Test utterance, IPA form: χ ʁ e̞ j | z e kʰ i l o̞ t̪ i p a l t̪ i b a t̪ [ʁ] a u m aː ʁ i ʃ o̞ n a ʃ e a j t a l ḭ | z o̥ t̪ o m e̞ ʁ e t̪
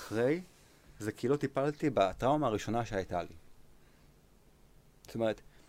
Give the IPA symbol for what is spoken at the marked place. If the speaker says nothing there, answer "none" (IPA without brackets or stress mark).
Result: ʁ